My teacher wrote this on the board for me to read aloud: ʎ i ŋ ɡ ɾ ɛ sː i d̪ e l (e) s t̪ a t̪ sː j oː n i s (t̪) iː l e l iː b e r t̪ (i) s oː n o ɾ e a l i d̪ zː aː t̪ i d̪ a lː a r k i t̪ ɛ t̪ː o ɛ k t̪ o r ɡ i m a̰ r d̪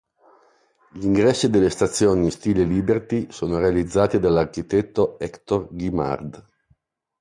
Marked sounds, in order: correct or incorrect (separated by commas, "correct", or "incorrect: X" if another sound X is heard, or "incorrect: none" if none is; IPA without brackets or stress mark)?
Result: correct, correct, correct